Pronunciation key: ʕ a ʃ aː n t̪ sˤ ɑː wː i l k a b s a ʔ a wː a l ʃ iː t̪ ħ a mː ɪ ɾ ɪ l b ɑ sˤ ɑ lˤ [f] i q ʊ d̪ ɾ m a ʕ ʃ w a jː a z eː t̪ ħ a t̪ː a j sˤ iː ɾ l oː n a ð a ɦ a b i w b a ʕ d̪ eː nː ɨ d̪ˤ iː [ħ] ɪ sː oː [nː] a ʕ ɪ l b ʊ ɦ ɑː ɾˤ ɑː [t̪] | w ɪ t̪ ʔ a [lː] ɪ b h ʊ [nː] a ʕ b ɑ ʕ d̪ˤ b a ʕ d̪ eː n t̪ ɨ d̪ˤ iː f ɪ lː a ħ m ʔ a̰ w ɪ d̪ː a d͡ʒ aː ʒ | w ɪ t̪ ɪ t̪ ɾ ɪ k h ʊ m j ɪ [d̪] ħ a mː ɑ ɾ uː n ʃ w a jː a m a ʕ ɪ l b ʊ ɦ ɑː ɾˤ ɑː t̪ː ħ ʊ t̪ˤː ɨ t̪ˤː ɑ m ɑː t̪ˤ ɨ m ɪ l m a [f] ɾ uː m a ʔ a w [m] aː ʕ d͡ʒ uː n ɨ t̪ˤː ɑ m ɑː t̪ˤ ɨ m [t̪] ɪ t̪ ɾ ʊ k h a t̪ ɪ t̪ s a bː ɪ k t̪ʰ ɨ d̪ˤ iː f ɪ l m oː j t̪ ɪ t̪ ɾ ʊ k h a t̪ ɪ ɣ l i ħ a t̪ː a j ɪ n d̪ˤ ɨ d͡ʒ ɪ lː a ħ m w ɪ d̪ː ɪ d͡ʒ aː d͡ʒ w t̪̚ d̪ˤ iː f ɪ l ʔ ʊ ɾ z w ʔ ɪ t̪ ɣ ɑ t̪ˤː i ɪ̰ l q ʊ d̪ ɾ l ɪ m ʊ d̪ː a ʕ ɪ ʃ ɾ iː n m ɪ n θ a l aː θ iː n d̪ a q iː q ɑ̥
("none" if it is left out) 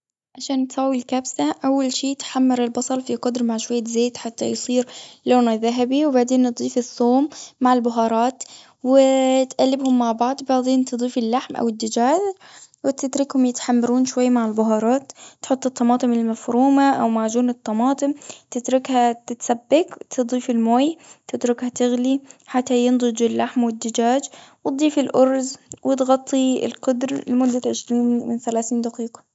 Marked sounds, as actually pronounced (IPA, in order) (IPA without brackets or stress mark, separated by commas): f, f, mː, t̪, lː, mː, t̪, f, m, t̪